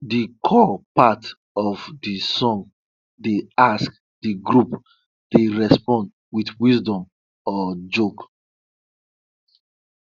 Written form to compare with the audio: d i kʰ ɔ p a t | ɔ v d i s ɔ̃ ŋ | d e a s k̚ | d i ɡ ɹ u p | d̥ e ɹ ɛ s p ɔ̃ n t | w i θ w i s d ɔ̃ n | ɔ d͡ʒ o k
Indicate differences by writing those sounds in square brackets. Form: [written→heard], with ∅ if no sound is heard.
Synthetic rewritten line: d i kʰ ɔ p a t | ɔ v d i s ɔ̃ ŋ | d e a s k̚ | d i ɡ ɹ u p | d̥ e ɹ ɛ s p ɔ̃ n [t→d] | w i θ w i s d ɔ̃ [n→m] | ɔ d͡ʒ o k